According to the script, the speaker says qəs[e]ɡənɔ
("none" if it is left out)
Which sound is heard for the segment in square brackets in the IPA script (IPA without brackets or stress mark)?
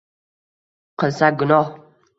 a